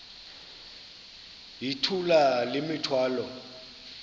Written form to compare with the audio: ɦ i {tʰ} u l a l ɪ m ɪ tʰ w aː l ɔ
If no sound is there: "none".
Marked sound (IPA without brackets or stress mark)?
tʰ